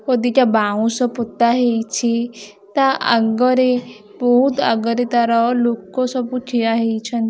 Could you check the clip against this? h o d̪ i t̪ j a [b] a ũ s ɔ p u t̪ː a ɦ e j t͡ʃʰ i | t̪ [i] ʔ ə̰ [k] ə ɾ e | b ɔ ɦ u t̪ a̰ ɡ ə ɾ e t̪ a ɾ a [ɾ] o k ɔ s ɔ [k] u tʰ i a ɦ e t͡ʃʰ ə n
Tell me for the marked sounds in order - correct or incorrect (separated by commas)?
correct, incorrect, incorrect, incorrect, incorrect